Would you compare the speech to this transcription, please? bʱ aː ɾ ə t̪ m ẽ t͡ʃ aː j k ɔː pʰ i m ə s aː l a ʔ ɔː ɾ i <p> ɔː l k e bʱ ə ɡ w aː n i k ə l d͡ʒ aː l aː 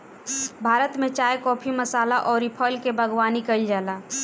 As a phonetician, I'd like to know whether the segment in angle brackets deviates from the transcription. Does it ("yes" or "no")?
yes